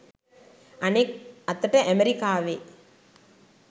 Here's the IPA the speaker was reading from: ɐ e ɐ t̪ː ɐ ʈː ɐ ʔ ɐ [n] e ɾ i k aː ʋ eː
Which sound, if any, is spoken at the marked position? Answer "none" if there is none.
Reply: m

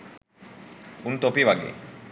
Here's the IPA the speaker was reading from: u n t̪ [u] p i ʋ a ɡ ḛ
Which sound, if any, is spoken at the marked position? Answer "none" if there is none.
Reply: o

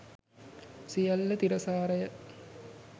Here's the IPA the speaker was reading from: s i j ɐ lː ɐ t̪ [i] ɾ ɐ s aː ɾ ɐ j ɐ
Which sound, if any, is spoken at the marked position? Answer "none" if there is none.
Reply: i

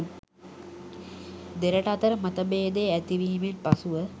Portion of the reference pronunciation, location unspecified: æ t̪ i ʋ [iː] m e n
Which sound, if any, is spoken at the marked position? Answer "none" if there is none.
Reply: iː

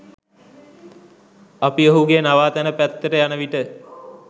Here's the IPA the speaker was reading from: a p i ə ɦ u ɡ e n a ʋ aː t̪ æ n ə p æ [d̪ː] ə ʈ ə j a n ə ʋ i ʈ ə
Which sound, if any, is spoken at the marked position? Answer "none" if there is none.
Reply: t̪ː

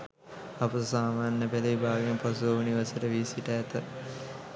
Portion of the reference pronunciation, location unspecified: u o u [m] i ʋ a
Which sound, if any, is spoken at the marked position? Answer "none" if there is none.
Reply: n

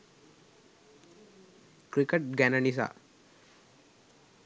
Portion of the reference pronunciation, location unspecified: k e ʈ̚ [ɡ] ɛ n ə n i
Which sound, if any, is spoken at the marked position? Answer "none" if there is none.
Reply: ɡ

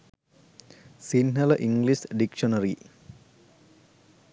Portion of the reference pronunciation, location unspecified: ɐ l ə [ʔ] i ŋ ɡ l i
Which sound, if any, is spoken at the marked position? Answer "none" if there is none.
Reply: ʔ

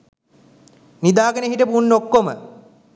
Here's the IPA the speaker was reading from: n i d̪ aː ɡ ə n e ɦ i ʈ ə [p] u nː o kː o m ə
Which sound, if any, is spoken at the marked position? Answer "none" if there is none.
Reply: p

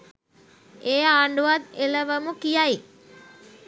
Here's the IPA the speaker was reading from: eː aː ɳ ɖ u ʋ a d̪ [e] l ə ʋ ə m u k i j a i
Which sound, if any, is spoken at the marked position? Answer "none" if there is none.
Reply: e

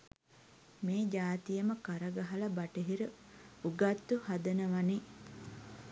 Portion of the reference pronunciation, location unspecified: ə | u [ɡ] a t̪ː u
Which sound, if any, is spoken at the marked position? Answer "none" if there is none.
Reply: ɡ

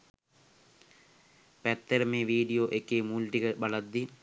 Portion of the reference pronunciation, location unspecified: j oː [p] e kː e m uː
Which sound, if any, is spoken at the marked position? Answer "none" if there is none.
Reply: ʔ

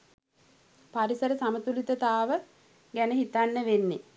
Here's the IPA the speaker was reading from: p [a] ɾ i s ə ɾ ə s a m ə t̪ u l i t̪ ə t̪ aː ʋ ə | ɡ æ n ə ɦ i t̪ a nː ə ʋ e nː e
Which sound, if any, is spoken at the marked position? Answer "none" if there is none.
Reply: a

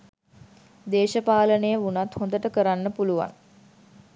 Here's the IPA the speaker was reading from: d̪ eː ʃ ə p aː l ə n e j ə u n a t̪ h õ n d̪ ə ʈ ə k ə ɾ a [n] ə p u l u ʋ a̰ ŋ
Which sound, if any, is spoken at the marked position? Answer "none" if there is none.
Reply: nː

